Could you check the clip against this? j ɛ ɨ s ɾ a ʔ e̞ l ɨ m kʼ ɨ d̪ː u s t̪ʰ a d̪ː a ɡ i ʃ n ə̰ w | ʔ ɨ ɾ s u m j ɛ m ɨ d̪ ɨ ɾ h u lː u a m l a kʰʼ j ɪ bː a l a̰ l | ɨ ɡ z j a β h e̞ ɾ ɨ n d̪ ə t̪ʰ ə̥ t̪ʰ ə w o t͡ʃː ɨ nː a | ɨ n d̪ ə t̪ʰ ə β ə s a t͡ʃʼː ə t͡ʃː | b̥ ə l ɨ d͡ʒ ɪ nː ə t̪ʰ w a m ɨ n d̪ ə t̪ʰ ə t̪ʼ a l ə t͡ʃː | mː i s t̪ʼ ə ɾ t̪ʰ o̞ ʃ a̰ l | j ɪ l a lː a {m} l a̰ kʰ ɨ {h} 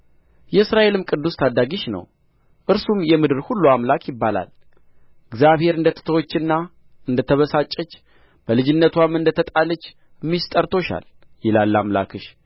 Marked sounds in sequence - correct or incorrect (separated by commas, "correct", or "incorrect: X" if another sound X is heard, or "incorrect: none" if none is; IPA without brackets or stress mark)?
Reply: correct, incorrect: ʃ